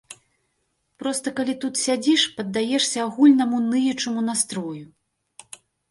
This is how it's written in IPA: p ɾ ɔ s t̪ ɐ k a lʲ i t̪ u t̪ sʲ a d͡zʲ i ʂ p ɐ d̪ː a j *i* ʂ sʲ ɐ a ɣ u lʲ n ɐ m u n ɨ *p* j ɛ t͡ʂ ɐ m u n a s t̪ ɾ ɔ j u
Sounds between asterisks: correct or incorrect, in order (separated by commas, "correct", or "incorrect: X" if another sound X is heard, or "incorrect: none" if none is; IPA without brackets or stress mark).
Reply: incorrect: ɛ, incorrect: none